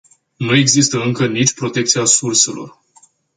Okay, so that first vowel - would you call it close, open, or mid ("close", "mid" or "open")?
close